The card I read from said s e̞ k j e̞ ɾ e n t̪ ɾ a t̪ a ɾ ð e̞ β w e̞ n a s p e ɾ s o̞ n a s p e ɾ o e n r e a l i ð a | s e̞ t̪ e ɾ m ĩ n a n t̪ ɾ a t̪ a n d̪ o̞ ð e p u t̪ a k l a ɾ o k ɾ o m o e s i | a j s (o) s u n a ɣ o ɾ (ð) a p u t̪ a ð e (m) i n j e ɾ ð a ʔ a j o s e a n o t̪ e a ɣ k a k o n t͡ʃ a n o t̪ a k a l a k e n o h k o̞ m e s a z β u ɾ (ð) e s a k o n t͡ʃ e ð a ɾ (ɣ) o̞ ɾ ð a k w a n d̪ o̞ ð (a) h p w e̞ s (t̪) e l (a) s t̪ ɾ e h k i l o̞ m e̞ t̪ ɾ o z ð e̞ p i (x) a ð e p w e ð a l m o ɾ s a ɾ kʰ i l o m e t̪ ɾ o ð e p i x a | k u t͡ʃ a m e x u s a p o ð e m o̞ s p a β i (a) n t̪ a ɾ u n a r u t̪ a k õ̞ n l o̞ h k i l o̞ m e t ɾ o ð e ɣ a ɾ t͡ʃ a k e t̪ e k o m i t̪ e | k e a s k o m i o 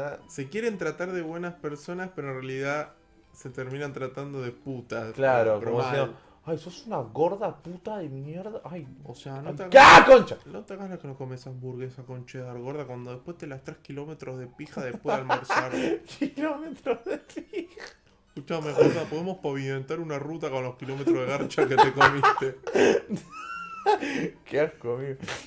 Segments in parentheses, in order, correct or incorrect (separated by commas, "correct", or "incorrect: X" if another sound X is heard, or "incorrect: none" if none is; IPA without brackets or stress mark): correct, correct, correct, incorrect: ɣ, correct, incorrect: e, correct, correct, correct, incorrect: e